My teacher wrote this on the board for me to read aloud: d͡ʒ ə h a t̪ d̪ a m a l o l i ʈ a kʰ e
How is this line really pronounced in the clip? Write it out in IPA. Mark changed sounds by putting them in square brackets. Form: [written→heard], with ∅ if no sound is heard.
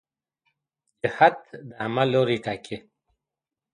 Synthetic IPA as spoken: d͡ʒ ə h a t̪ d̪ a m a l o [l→ɾ] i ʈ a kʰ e